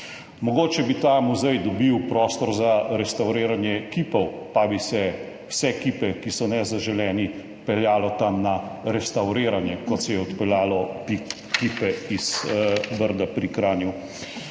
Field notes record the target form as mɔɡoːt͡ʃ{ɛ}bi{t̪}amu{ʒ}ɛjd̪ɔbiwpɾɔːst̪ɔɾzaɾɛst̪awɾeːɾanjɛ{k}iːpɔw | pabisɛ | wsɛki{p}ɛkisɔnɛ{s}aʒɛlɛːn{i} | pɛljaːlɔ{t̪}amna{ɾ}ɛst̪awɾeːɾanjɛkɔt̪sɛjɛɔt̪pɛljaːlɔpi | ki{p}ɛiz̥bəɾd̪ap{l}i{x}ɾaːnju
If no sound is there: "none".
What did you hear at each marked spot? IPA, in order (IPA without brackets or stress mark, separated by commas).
ɛ, t̪, z, k, p, z, i, t̪, ɾ, p, ɾ, k